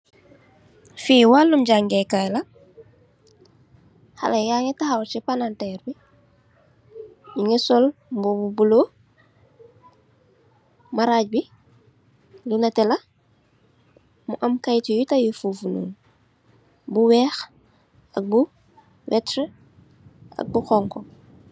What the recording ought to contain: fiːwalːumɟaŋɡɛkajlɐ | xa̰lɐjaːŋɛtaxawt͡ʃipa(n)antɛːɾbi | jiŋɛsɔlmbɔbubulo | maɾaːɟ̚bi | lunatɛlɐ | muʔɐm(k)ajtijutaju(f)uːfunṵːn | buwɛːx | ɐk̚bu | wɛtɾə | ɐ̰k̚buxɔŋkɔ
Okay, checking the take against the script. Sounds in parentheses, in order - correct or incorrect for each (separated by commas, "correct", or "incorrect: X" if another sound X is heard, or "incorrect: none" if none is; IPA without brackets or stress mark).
correct, correct, correct